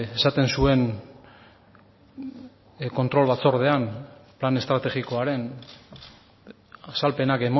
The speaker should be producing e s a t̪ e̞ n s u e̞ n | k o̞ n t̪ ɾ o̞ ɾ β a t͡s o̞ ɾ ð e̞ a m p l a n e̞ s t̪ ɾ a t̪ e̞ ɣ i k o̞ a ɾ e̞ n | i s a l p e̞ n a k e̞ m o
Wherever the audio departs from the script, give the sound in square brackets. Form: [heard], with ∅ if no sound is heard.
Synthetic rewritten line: e s a t̪ e̞ n s u e̞ n | k o̞ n t̪ ɾ o̞ [l] β a t͡s o̞ ɾ ð e̞ a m p l a n e̞ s t̪ ɾ a t̪ e̞ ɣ i k o̞ a ɾ e̞ n | [a] s a l p e̞ n a k e̞ m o